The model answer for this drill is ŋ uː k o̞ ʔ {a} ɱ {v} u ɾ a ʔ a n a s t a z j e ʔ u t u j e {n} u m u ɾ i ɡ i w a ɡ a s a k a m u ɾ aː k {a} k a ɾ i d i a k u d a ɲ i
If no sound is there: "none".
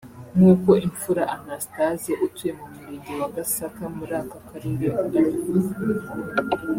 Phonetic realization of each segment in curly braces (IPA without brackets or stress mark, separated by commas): i, f, m, a